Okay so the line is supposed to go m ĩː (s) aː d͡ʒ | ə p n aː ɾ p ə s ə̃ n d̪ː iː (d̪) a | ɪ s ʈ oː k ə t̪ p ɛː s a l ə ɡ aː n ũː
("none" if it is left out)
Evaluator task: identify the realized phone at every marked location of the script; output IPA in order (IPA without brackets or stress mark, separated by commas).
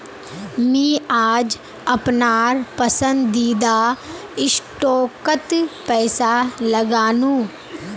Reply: none, d̪